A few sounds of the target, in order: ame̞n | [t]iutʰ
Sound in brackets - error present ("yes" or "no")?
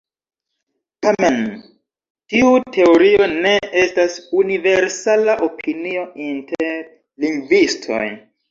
no